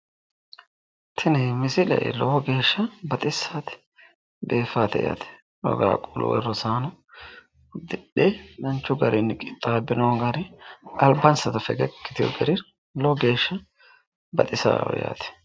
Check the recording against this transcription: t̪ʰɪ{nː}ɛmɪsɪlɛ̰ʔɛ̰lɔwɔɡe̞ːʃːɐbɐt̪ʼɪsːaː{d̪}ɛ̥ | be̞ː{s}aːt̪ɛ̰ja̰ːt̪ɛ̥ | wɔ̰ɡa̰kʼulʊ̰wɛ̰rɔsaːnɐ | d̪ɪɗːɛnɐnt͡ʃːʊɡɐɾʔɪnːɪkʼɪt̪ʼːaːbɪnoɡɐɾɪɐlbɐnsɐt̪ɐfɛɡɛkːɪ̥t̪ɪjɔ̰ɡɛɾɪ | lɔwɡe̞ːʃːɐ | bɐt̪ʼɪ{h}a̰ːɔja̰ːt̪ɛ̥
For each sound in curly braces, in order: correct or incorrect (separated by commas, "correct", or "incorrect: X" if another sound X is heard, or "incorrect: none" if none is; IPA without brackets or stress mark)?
incorrect: n, incorrect: t̪, incorrect: f, incorrect: s